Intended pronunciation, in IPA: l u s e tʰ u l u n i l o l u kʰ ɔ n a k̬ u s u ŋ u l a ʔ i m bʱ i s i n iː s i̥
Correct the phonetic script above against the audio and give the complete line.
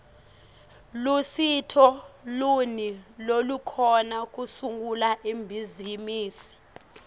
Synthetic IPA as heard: l u s i tʰ ɔ l u n i l o l u kʰ ɔ n a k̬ u s u ŋ u l a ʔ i m bʱ i z i m iː s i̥